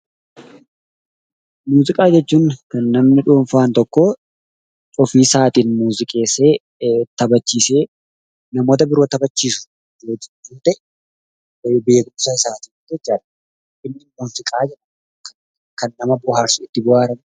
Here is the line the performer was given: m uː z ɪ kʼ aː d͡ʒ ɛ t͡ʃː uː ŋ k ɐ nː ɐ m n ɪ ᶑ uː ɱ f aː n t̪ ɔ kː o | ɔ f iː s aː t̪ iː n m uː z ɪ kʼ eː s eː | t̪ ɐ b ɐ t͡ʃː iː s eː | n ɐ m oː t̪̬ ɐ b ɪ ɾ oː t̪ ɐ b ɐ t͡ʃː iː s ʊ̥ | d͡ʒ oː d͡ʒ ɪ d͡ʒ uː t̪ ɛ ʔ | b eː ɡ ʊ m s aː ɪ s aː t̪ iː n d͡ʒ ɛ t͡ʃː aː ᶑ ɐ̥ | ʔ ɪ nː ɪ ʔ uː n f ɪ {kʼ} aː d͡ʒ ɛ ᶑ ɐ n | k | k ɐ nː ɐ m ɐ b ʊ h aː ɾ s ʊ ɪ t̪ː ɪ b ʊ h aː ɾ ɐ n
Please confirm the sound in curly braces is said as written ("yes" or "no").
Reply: yes